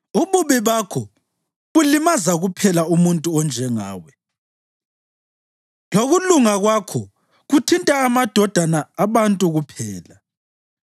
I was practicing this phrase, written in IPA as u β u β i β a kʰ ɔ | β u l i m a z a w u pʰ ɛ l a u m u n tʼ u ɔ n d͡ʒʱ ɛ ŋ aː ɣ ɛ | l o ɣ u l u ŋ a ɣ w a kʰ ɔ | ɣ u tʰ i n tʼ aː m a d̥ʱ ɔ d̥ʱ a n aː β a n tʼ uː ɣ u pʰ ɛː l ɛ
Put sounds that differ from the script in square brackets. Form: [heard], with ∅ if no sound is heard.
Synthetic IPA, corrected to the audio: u β u β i β a kʰ ɔ | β u l i m a z a [ɣ] u pʰ ɛ l a u m u n tʼ u ɔ n d͡ʒʱ ɛ ŋ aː [w] ɛ | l o ɣ u l u ŋ a ɣ w a kʰ ɔ | ɣ u tʰ i n tʼ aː m a d̥ʱ ɔ d̥ʱ a n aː β a n tʼ [u] ɣ u pʰ ɛː l [a]